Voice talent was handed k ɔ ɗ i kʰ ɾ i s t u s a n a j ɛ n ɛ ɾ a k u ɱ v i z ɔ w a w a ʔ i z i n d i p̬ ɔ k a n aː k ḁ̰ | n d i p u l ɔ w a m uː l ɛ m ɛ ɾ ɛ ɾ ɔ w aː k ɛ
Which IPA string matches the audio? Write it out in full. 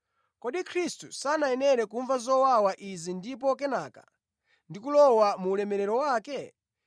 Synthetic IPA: k ɔ ɗ i kʰ ɾ i s t u s a n a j ɛ n ɛ ɾ ɛ k u ɱ v a z ɔ w a w a ʔ i z i n d i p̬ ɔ k ɛ n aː k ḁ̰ | n d i k u l ɔ w a m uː l ɛ m ɛ ɾ ɛ ɾ ɔ w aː k ɛ